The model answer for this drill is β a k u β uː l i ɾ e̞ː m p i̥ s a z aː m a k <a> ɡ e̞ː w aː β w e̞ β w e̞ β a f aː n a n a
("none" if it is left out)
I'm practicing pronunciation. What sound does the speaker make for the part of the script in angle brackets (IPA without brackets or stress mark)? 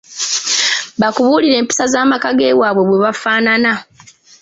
a